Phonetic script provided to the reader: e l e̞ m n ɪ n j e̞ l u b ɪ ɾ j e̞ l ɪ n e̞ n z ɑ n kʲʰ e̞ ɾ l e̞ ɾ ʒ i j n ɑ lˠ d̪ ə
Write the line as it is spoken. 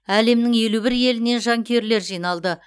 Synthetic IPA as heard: æ l e̞ m n ɪ ŋ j e̞ l u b ɪ ɾ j e̞ l ɪ n e̞ n ʒ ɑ ŋ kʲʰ e̞ ɾ l e̞ ɾ ʒ i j n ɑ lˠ d̪ ə